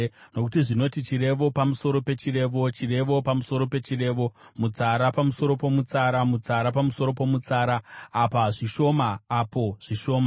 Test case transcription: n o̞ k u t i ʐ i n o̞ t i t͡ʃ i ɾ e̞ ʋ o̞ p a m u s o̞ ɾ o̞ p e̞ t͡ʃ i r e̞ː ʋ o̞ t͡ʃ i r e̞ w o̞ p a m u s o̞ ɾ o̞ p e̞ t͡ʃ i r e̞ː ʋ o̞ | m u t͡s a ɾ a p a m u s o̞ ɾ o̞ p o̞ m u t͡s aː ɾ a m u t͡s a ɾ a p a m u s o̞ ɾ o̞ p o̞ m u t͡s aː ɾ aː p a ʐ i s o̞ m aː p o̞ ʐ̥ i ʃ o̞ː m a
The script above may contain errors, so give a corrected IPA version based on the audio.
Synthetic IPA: n o̞ k u t i ʐ i n o̞ t i t͡ʃ i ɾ e̞ ʋ o̞ p a m u s o̞ ɾ o̞ p e̞ t͡ʃ i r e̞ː ʋ o̞ t͡ʃ i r e̞ ʋ o̞ p a m u s o̞ ɾ o̞ p e̞ t͡ʃ i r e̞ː ʋ o̞ | m u t͡s a ɾ a p a m u s o̞ ɾ o̞ p o̞ m u t͡s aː ɾ a m u t͡s a ɾ a p a m u s o̞ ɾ o̞ p o̞ m u t͡s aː ɾ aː p a ʐ i ʃ o̞ m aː p o̞ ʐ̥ i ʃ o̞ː m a